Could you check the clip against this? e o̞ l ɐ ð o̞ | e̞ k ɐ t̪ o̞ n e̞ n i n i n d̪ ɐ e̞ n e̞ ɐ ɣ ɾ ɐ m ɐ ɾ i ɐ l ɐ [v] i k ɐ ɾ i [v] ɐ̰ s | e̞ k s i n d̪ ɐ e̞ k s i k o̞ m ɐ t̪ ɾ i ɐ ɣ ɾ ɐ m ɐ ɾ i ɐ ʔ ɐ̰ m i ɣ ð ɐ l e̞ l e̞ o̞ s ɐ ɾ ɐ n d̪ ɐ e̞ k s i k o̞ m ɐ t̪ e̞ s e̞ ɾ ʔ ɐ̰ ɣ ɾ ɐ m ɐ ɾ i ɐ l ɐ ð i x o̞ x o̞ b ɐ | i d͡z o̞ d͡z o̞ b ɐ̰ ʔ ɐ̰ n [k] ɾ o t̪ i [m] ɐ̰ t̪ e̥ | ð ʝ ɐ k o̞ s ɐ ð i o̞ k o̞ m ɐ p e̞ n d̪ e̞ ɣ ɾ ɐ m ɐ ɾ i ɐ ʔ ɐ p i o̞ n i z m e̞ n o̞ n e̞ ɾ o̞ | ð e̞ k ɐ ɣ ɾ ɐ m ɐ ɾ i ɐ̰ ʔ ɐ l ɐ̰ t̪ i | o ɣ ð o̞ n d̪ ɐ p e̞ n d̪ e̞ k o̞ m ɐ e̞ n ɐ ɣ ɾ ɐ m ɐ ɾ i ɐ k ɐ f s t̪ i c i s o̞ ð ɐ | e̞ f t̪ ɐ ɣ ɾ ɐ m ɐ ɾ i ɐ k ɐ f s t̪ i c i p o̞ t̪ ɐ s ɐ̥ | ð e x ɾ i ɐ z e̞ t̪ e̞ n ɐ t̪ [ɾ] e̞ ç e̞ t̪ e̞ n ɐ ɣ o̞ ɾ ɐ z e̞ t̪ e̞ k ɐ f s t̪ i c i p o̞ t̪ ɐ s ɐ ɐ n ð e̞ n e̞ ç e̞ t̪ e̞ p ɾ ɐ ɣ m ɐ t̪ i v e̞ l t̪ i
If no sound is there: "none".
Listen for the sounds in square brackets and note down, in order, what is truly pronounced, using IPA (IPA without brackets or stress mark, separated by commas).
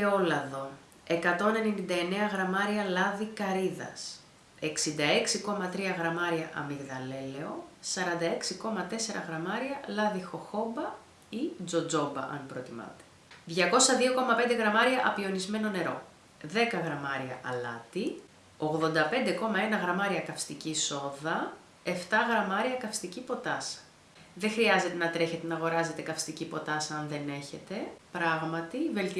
ð, ð, p, m, ɾ